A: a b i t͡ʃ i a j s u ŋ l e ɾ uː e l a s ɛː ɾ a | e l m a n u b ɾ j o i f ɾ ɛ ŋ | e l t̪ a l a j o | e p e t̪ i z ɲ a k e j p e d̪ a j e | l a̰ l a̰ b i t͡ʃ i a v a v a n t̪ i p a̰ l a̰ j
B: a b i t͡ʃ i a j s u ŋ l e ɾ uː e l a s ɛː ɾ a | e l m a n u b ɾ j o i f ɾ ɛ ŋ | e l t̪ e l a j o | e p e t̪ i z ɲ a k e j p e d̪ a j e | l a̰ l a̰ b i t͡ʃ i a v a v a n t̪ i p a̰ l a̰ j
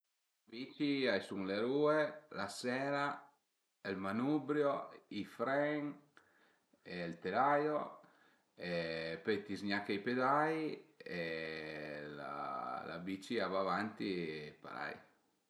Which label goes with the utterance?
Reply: B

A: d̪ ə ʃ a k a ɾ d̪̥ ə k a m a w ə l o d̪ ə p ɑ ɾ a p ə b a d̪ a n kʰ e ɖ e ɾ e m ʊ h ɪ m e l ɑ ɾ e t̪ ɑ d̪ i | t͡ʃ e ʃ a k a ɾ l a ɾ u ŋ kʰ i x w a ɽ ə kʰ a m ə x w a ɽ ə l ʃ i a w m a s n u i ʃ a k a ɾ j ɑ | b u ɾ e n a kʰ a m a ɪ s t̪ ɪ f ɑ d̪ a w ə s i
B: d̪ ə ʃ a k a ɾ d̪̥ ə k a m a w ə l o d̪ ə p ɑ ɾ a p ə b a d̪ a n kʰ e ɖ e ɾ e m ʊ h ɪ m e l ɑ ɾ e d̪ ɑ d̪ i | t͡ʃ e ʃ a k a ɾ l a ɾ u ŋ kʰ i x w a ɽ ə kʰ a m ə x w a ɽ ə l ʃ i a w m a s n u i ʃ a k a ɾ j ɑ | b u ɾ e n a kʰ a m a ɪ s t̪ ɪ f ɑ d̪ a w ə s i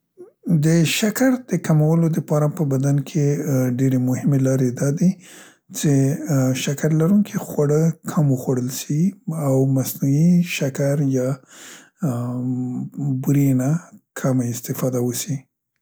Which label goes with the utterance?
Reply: B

